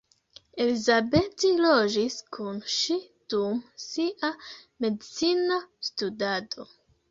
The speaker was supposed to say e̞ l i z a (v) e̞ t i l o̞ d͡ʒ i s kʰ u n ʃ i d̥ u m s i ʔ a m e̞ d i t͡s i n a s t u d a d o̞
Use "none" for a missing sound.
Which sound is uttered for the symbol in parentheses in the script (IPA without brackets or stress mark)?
b